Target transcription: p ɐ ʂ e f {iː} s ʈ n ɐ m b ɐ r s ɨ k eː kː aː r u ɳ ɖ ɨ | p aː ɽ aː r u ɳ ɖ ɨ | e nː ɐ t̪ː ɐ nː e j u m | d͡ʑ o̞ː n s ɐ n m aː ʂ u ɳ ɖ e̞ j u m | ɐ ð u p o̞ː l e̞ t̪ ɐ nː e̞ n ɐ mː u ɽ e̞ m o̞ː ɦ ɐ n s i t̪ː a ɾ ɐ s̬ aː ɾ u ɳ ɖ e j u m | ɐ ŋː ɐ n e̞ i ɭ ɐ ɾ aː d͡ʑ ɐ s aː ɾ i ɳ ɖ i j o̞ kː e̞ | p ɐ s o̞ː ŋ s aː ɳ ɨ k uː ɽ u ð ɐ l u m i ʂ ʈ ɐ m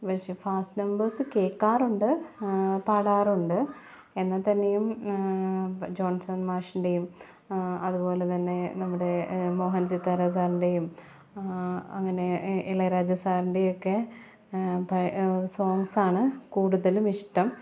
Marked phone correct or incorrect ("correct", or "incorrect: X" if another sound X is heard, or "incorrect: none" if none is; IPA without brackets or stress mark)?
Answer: incorrect: aː